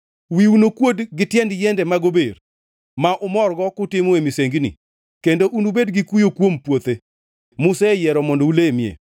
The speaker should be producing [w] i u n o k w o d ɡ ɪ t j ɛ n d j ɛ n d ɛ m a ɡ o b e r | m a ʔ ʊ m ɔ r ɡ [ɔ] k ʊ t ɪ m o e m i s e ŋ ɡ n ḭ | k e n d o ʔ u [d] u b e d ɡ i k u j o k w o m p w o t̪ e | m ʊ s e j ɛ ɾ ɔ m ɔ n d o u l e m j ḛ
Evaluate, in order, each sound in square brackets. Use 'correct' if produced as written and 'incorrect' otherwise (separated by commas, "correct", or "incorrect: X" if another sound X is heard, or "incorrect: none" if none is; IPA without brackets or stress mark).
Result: correct, correct, incorrect: n